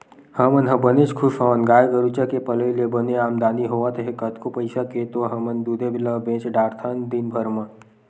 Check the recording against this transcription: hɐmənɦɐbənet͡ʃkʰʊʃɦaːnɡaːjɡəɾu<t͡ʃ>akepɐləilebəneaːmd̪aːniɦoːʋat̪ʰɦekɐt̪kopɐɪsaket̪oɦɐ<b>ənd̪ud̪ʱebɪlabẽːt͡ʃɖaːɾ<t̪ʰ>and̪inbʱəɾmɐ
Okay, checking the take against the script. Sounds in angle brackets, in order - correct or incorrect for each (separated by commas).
correct, incorrect, correct